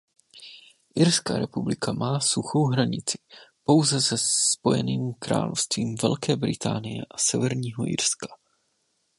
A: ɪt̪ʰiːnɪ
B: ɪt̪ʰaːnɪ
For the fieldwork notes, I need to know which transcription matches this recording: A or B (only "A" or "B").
B